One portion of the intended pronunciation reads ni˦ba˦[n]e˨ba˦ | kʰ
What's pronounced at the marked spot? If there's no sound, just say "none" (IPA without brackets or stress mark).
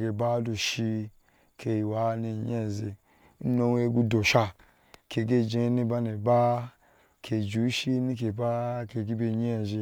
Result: n